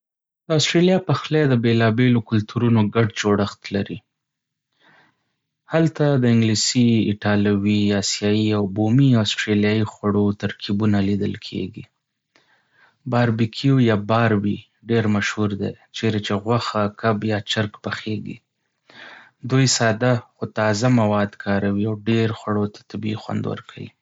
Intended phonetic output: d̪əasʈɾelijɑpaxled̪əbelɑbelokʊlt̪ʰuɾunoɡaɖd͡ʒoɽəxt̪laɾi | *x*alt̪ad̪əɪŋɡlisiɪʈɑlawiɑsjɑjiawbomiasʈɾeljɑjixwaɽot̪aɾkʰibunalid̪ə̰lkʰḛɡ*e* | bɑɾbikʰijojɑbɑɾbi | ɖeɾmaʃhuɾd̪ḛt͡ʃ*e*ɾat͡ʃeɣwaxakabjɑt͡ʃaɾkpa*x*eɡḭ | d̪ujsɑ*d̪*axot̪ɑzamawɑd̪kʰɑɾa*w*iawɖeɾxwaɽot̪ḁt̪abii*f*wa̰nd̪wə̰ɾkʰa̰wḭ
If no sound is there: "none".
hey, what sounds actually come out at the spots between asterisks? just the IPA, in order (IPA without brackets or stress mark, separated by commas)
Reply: h, i, e, x, d̪, w, x